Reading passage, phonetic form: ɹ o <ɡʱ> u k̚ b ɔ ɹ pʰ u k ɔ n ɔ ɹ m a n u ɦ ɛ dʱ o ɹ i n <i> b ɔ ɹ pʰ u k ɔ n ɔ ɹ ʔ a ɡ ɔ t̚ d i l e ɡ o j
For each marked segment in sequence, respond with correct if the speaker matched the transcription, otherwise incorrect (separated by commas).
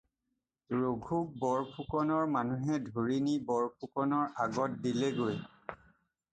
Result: correct, correct